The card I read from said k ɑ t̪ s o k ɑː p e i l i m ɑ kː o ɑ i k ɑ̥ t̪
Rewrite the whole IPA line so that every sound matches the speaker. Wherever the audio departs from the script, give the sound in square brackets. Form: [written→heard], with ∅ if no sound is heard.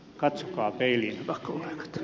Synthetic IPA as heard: k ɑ t̪ s o k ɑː p e i l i [m→n] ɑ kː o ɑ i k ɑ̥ t̪

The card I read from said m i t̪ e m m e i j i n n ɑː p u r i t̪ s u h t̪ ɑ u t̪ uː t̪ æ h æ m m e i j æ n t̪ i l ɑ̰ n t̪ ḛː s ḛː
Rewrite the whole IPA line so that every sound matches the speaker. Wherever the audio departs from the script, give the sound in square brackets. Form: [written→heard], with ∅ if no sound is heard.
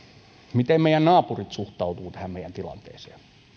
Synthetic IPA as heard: m i t̪ e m m e i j [i→æ] n n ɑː p u r i t̪ s u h t̪ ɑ u t̪ uː t̪ æ h æ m m e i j æ n t̪ i l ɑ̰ n t̪ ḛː s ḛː

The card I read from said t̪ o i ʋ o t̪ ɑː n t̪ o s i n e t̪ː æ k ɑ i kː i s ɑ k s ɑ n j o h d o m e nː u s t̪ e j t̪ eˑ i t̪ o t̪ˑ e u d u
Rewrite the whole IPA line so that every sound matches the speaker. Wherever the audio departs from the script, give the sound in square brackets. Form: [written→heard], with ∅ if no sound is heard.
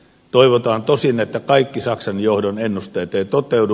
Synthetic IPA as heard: t̪ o i ʋ o t̪ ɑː n t̪ o s i n e t̪ː æ k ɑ i kː i s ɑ k s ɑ n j o h d o [m→n] e nː u s t̪ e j t̪ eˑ i t̪ o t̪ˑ e u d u

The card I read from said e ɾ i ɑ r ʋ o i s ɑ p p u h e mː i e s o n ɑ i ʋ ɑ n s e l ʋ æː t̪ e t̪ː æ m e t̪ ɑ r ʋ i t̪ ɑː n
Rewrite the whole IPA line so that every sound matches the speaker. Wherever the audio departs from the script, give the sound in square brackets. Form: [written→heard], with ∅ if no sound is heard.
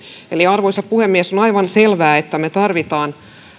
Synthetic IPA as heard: e [ɾ→l] i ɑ r ʋ o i s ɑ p p u h e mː i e s o n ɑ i ʋ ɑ n s e l ʋ æː [t̪→∅] e t̪ː æ m e t̪ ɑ r ʋ i t̪ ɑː n

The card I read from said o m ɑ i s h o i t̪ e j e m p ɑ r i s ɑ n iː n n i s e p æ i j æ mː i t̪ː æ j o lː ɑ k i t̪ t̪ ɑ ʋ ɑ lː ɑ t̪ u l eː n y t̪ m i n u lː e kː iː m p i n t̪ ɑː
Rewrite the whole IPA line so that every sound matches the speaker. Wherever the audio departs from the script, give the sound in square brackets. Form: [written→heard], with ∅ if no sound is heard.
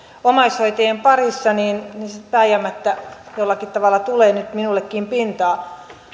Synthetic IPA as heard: o m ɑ i s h o i t̪ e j e m p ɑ r i [s→sː] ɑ n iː n n i s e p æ i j æ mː [i→æ] t̪ː æ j o lː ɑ k i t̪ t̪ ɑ ʋ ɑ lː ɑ t̪ u l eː n y t̪ m i n u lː e kː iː m p i n t̪ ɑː

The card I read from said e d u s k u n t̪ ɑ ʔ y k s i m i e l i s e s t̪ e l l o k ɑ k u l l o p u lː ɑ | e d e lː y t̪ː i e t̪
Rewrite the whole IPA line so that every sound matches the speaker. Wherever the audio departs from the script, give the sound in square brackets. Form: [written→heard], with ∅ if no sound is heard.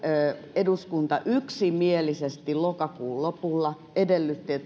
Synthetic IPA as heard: e d u s k u n t̪ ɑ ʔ y k s i m i e l i s e s t̪ [e→i] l l o k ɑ k [u→uː] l l o p u lː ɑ | e d e lː y t̪ː i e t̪

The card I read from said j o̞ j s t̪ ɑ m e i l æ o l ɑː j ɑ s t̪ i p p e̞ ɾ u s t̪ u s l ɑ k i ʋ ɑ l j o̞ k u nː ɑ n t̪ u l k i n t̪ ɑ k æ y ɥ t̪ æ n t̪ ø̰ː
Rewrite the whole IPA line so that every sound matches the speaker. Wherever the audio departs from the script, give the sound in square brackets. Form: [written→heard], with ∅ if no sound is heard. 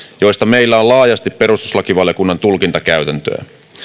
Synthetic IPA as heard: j o̞ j s t̪ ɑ m e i [l→lː] æ o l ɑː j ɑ s t̪ i p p e̞ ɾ u s t̪ u s l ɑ k i ʋ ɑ l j o̞ k u nː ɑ n t̪ u l k i n t̪ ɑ k æ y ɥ t̪ æ n t̪ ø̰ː

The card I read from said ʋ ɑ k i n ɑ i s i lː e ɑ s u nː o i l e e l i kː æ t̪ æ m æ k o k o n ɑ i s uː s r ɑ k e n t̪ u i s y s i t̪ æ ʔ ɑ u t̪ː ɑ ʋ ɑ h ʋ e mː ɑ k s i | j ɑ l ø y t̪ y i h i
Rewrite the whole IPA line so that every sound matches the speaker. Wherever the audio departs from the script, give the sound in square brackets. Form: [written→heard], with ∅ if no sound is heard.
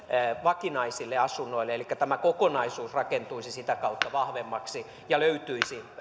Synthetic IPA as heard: ʋ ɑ k i n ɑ i s i lː e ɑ s u nː o i l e e l i kː æ t̪ æ m æ k o k o n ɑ i s uː s r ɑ k e n t̪ u i s [y→i] s i t̪ æ [ʔ→k] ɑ u t̪ː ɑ ʋ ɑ h ʋ e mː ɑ k s i | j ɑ l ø y t̪ y i [h→s] i

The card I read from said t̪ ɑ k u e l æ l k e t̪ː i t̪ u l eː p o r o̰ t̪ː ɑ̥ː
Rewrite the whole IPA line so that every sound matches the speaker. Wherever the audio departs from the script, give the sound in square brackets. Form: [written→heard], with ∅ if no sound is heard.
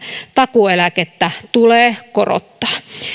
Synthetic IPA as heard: t̪ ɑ k u e l æ [l→∅] k e t̪ː [i→æ] t̪ u l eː [p→k] o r o̰ t̪ː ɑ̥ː

